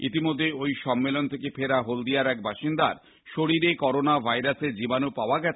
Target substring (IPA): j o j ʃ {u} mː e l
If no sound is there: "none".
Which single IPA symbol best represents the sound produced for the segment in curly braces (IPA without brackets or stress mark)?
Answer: ɔ